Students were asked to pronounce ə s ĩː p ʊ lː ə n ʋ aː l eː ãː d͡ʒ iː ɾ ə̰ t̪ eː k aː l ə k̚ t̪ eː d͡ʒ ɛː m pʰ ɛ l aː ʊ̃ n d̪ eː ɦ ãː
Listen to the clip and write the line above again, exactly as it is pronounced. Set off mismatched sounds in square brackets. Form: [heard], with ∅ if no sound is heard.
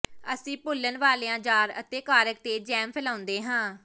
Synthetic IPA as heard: ə s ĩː p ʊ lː ə n ʋ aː l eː ãː d͡ʒ [aː] ɾ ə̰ t̪ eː k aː [ɾ] ə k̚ t̪ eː d͡ʒ ɛː m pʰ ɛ l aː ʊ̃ n d̪ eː ɦ ãː